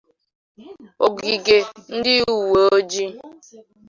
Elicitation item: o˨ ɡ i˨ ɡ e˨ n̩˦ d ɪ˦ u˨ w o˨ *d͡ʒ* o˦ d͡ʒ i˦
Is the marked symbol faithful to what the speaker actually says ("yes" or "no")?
no